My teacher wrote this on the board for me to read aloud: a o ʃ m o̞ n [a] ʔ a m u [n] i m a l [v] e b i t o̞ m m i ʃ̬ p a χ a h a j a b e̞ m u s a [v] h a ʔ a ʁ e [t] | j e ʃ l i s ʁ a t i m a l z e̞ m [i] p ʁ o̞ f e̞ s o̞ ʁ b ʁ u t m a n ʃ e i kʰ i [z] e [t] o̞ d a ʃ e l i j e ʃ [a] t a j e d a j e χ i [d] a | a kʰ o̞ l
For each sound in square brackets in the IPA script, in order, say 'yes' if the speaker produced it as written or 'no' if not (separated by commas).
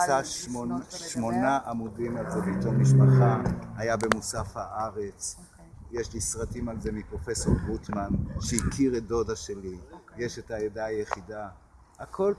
yes, no, no, no, no, yes, no, no, no, yes